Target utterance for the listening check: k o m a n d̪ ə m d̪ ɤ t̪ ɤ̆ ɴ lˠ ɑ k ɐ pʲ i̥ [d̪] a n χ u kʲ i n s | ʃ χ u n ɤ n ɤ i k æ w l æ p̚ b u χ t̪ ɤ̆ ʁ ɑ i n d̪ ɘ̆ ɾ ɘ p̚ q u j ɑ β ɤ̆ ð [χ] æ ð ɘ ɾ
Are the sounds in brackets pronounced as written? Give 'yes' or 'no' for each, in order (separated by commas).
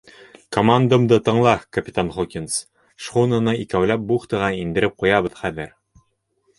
no, yes